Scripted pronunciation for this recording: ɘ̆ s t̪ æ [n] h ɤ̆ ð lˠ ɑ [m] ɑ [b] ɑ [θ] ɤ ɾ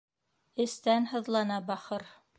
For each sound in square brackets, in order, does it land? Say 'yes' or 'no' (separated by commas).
yes, no, yes, no